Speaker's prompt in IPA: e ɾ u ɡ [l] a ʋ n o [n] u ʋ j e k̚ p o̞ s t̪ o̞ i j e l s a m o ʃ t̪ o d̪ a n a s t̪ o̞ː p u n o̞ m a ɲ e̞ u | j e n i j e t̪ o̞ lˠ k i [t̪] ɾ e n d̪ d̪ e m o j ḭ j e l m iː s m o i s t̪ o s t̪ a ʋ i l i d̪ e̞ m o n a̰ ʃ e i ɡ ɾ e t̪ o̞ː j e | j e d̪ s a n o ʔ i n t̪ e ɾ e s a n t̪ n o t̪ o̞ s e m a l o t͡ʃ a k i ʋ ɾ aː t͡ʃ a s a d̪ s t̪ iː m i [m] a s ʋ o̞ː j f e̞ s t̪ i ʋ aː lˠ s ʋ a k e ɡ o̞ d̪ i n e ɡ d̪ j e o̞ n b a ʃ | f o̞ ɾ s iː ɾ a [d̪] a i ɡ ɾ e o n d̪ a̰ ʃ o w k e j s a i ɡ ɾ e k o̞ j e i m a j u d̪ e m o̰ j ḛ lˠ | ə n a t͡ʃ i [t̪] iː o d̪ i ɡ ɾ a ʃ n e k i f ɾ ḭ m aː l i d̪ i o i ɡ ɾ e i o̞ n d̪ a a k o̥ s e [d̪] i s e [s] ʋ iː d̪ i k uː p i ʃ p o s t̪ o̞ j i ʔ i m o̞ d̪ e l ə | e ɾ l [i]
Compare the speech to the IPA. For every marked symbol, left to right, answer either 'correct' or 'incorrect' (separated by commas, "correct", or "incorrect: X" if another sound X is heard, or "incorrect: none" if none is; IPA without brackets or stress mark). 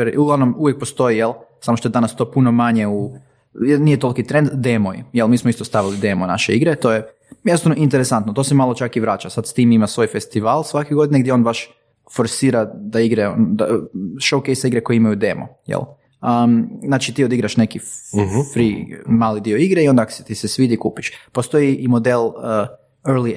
correct, incorrect: m, correct, correct, correct, correct, incorrect: t̪, correct, correct